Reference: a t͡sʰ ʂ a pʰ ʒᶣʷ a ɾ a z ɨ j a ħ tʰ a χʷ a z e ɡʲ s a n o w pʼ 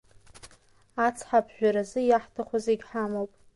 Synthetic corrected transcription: a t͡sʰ ħ a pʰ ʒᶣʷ a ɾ a z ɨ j a ħ tʰ a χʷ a z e ɡʲ ħ a m o w pʼ

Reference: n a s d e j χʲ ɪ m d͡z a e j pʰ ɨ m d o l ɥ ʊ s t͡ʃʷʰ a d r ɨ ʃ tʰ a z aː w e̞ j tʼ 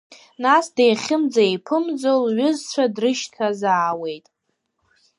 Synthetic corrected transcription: n a s d e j χʲ ɪ m d͡z a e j pʰ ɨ m d͡z o l ɥ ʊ z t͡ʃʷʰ a d r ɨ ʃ tʰ a z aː w e̞ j tʼ

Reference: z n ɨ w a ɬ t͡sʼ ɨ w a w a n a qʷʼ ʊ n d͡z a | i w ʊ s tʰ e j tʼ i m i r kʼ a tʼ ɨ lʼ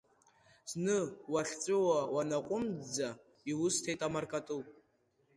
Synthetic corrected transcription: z n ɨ w a ɬ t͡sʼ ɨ w a w a n a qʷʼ ʊ m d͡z a | i w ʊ s tʰ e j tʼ a m a r kʼ a tʼ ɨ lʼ

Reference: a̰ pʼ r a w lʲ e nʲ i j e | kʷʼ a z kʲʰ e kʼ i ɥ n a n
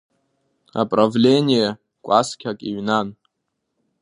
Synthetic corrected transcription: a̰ pʼ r a v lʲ e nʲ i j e | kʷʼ a s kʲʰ a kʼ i ɥ n a n

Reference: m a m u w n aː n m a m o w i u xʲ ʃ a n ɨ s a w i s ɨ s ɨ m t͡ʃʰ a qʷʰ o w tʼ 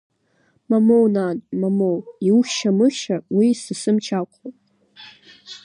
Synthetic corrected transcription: m a m o w n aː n m a m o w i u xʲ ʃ a m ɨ ʃ a w i s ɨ s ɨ m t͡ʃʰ a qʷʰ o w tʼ

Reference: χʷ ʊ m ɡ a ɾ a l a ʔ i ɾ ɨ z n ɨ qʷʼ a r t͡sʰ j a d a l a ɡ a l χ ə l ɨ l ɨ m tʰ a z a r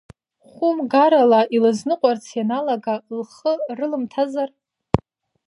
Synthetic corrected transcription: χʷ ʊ m ɡ a ɾ a l a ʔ i l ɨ z n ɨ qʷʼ a r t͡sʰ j a n a l a ɡ a l χ ə r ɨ l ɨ m tʰ a z a r

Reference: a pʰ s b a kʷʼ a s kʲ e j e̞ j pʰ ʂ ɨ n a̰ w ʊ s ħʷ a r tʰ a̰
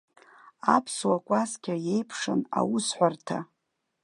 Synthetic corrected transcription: a pʰ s w a kʷʼ a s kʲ a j e̞ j pʰ ʂ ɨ n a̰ w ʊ s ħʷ a r tʰ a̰

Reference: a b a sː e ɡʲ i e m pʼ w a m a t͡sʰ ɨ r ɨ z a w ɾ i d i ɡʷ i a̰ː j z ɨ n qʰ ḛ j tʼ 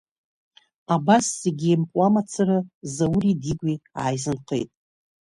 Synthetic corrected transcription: a b a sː e ɡʲ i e m pʼ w a m a t͡sʰ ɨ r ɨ z a w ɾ i d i ɡʷ i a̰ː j z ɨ n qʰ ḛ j tʼ

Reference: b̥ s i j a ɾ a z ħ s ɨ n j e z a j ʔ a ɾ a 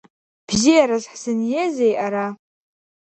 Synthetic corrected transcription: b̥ z i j a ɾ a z ħ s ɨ n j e z e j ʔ a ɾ a

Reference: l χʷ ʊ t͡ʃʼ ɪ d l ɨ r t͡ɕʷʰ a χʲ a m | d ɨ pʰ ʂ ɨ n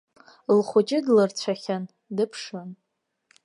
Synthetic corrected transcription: l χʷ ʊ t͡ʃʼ ɪ d l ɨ r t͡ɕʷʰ a χʲ a n | d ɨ pʰ ʂ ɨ n

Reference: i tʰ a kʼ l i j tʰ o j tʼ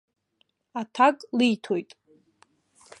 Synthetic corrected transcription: a tʰ a kʼ l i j tʰ o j tʼ

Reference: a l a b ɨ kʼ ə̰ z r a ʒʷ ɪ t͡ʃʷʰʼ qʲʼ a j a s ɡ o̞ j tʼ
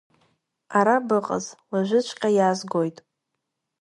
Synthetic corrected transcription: a ɾ a b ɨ qʼ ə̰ z l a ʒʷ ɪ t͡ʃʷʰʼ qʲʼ a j a z ɡ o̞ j tʼ

